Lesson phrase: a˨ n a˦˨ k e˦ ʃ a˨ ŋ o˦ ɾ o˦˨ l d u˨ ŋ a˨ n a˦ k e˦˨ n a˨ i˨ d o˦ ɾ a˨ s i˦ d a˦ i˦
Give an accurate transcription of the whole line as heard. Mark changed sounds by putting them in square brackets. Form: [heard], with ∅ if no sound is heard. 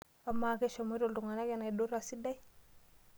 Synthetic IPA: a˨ [m] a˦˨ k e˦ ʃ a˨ [m] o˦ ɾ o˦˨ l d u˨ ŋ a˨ n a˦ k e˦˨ n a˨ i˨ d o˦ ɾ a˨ s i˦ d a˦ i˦